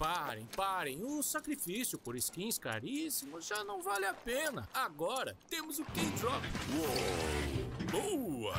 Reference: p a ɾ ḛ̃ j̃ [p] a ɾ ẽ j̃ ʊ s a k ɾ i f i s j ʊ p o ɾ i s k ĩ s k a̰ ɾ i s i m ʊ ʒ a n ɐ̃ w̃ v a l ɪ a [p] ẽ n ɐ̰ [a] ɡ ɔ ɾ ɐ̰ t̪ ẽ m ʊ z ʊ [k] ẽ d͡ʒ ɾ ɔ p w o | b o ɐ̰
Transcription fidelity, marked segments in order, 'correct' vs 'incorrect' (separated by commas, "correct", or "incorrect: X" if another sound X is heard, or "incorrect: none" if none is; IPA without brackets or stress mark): correct, correct, correct, correct